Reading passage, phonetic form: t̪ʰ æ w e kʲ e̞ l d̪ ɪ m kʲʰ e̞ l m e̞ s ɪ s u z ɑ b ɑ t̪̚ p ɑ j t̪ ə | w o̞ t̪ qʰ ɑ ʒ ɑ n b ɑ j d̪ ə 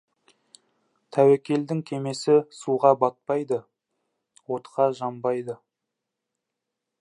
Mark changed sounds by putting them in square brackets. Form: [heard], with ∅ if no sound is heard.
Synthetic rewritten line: t̪ʰ æ w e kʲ e̞ l d̪ ɪ [ŋ] kʲʰ e̞ [∅] m e̞ s ɪ s u [ʁ] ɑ b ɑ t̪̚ p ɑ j [d̪] ə | w o̞ t̪ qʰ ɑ ʒ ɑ [m] b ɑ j d̪ ə